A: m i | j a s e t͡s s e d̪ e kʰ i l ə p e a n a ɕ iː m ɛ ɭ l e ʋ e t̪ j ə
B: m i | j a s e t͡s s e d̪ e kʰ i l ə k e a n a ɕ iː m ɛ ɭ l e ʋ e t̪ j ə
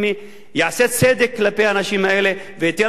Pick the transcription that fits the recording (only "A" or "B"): A